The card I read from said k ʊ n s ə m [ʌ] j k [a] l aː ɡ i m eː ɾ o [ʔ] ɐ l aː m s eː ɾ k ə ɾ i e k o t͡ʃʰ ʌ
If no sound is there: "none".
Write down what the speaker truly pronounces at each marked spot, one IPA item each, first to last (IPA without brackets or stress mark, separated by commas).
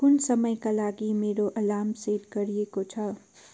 ə, a, ʔ